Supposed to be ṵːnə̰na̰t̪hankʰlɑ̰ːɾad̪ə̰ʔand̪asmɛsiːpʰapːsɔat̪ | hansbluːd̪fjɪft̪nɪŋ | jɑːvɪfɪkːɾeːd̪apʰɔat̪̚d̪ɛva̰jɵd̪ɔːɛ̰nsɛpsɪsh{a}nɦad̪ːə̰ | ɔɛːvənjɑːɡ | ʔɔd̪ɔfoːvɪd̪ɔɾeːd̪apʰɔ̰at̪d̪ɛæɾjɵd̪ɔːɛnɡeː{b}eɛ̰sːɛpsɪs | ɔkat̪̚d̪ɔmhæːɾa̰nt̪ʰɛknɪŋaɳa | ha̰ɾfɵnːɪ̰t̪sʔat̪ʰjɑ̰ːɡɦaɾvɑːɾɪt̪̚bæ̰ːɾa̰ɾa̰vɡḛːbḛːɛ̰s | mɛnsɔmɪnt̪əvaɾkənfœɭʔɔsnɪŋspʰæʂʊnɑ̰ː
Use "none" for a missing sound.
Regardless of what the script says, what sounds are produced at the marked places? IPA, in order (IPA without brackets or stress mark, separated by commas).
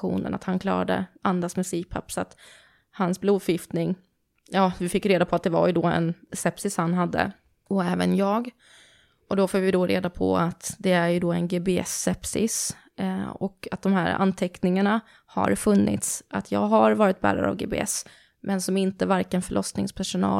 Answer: a, b